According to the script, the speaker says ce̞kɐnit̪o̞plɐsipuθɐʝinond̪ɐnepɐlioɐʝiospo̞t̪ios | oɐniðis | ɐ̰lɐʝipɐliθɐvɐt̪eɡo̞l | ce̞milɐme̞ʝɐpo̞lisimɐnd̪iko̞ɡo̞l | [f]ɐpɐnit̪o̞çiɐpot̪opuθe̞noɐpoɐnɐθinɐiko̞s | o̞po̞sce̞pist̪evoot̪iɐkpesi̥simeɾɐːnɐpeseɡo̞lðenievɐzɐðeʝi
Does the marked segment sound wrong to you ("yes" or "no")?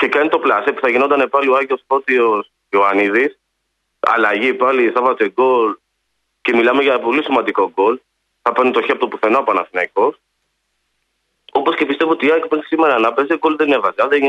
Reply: yes